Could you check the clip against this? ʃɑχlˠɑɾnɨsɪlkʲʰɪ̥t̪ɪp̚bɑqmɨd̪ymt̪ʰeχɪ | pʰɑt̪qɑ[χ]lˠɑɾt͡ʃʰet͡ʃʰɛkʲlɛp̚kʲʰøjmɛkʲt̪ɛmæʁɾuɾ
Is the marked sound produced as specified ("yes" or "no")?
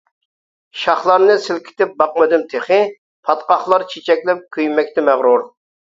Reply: yes